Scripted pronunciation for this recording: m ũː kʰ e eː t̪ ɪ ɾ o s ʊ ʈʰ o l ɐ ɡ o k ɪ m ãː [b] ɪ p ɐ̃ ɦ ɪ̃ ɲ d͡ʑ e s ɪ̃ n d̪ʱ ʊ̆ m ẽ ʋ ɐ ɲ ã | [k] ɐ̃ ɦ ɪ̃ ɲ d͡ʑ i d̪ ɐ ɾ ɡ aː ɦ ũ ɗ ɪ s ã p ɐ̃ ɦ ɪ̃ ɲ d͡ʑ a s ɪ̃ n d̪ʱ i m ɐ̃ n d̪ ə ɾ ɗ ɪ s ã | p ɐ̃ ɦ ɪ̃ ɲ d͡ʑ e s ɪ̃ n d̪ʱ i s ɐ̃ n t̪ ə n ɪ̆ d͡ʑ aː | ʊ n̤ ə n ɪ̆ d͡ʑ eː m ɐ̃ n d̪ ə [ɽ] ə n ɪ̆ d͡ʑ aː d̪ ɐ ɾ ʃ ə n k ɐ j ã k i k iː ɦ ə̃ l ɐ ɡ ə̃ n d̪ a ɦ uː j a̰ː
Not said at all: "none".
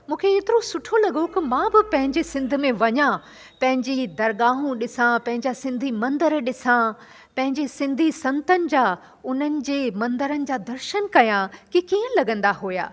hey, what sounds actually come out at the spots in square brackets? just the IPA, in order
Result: b, p, ɾ

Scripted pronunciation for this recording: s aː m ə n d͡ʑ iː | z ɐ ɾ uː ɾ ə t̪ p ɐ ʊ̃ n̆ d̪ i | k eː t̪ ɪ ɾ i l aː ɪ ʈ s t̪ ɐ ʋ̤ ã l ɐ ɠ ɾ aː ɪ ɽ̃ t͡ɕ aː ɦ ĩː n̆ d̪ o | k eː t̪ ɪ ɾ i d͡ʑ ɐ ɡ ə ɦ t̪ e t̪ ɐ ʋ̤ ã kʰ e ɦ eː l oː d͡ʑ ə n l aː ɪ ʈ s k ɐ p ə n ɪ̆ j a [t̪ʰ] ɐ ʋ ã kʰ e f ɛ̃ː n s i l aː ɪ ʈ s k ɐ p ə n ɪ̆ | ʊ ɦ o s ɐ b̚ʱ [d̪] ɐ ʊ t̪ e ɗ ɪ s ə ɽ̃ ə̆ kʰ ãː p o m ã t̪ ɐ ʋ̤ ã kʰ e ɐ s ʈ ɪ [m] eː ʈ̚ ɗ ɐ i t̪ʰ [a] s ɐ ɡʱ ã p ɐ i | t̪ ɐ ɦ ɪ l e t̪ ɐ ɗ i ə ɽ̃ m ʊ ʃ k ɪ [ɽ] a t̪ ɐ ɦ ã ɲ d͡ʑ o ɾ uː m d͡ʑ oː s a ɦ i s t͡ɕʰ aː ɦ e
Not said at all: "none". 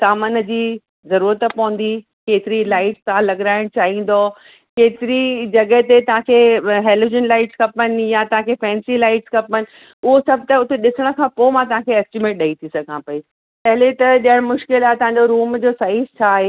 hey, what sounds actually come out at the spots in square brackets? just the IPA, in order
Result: t̪, t̪, m, i, l

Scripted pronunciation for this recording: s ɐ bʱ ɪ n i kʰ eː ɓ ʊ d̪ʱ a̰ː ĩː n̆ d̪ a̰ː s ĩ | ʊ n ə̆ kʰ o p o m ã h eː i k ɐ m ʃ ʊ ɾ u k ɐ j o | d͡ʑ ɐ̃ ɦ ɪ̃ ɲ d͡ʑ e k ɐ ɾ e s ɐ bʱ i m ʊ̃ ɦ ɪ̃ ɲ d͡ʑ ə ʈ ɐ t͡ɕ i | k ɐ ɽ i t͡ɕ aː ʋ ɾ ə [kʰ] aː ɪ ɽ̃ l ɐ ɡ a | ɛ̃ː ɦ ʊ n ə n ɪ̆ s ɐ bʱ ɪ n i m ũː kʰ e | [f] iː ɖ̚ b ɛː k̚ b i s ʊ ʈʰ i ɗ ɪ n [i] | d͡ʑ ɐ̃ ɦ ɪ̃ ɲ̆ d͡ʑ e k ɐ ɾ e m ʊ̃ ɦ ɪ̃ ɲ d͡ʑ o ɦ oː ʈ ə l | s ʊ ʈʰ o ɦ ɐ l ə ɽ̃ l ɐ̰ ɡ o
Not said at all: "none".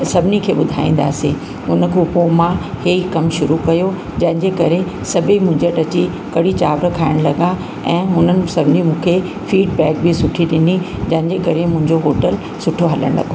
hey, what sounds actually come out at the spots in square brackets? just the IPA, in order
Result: kʰ, f, i

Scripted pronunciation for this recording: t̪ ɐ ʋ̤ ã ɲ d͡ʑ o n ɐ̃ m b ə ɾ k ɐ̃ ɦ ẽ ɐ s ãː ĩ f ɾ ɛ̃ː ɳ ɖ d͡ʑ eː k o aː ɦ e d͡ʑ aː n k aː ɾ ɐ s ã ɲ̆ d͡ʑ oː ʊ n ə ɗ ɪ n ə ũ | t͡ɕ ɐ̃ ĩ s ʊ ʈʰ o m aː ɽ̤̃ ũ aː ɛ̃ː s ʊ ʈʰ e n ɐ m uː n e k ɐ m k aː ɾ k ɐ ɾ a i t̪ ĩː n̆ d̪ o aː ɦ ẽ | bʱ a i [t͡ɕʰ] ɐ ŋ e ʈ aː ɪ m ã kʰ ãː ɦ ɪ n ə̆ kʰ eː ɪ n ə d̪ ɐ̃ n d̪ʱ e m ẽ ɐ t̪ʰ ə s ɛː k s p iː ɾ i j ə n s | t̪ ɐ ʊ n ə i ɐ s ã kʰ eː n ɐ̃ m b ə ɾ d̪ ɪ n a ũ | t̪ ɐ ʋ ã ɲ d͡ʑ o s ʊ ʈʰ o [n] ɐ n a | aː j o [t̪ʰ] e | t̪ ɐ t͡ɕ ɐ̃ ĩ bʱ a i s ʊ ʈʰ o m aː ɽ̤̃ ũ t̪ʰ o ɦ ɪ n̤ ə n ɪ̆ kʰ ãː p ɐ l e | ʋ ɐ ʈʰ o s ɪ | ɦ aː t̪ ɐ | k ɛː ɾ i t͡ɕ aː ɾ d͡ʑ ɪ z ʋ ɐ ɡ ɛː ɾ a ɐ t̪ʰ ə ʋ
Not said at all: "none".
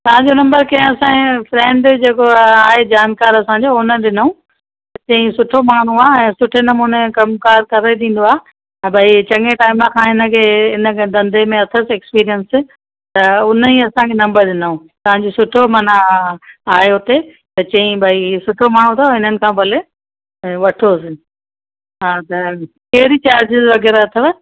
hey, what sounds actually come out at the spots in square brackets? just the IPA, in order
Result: t͡ɕ, m, t̪

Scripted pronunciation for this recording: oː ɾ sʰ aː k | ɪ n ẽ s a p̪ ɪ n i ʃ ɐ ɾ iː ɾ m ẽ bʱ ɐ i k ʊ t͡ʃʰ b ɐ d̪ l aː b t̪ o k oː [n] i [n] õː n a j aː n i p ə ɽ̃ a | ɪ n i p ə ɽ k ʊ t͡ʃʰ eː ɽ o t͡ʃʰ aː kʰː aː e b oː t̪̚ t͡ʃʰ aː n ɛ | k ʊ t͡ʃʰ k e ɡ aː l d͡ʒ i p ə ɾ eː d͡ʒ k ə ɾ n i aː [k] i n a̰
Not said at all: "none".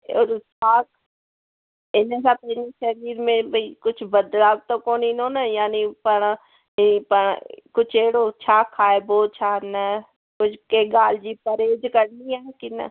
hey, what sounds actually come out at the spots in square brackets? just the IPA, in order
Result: n, n, k

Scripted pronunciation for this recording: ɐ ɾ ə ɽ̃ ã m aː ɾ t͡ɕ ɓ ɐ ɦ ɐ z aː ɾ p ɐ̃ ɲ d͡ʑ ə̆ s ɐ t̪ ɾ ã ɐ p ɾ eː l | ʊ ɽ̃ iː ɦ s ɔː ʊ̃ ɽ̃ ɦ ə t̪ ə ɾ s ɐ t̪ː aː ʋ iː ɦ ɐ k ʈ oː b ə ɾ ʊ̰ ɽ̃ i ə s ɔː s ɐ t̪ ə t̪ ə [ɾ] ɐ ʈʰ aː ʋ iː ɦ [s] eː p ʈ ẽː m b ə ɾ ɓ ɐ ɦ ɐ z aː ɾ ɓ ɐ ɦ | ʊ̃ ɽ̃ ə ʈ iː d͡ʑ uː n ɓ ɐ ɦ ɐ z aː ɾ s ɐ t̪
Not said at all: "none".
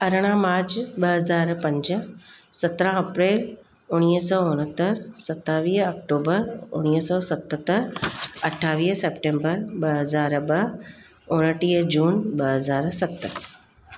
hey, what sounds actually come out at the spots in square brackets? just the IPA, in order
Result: ɾ, s

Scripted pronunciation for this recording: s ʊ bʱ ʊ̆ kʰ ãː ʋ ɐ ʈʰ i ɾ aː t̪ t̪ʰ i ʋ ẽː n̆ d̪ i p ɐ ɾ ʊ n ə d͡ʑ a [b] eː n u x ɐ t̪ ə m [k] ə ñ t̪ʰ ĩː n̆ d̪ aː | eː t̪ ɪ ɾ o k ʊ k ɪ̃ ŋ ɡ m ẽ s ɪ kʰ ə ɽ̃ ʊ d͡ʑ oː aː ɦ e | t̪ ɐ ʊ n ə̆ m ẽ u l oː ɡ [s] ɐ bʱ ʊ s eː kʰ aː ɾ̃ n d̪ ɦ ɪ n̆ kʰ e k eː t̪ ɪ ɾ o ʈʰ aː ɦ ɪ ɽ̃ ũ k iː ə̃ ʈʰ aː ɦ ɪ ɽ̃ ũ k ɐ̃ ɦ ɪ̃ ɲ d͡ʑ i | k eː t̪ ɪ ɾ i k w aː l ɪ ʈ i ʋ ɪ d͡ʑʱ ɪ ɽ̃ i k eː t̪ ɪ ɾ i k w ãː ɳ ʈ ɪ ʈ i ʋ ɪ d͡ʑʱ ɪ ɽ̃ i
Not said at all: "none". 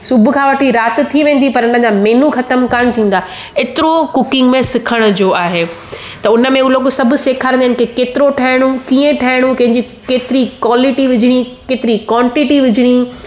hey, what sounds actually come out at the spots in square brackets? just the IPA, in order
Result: m, k, s

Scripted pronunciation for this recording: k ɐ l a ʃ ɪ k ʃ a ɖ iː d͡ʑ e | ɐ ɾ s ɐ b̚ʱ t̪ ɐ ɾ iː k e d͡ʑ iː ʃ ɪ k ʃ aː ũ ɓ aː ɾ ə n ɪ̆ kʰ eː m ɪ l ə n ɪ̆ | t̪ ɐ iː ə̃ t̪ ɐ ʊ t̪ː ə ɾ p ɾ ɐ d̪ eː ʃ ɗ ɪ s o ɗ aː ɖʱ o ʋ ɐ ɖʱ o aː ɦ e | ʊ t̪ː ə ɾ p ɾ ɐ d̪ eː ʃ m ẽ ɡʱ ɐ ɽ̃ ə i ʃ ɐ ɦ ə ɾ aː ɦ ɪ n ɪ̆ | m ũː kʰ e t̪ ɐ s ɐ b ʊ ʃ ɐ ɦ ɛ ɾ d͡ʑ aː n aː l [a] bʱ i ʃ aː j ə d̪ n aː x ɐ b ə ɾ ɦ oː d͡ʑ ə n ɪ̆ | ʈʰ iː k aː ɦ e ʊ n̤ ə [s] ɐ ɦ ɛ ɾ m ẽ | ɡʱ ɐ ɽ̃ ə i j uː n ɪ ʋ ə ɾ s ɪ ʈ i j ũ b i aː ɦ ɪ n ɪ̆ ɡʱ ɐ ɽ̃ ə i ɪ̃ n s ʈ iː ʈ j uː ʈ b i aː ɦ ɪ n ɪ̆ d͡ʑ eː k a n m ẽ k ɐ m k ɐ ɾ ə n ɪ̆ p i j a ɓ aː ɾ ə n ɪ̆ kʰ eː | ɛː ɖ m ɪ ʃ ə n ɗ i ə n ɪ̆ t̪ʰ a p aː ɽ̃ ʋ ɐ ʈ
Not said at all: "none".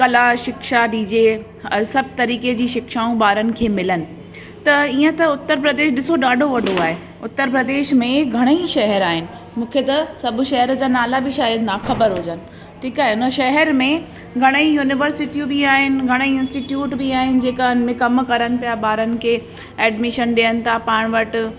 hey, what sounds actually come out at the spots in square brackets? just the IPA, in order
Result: a, ʃ

